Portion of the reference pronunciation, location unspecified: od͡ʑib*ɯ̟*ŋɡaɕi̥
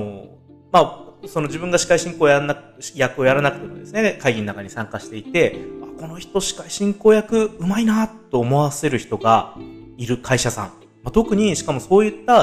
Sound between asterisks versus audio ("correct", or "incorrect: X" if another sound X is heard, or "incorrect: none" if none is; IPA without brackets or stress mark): incorrect: ɯ̟̃